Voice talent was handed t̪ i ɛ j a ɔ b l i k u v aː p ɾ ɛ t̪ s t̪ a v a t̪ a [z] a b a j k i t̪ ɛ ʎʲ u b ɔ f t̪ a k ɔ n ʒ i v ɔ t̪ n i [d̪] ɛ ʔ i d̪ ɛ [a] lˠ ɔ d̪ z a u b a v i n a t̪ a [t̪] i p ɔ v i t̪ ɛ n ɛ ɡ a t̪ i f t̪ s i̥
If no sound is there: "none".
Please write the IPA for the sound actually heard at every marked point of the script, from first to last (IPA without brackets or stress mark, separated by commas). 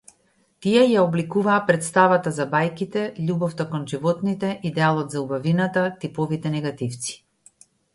z, t̪, a, t̪